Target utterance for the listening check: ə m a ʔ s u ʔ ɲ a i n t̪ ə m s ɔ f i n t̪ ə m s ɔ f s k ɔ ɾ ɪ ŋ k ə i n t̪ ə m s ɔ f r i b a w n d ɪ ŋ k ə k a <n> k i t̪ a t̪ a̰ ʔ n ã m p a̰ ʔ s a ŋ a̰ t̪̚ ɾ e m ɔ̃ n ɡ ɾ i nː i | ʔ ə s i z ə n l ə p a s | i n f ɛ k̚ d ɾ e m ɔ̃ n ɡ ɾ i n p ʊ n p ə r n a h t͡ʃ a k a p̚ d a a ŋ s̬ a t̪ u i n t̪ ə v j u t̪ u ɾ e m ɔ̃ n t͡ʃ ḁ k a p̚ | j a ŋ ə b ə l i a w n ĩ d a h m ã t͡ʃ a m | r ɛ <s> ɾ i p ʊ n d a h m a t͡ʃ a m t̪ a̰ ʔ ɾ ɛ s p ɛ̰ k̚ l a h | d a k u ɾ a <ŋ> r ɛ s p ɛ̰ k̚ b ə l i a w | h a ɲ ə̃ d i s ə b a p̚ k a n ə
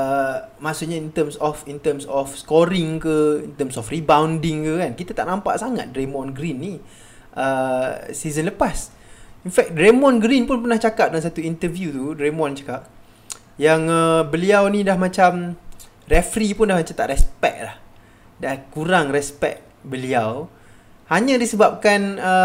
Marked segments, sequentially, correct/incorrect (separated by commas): correct, incorrect, correct